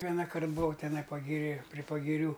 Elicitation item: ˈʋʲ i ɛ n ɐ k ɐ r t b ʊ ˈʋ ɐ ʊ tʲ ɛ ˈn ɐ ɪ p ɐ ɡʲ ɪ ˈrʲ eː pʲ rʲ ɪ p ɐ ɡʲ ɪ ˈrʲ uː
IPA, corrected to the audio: ˈʋʲ i ɛ n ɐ k ɐ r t b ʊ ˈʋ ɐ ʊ tʲ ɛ ˈn ɐ ɪ p ɐ ɡʲ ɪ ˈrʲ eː pʲ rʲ ɪ p ɐ ɡʲ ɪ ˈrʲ uː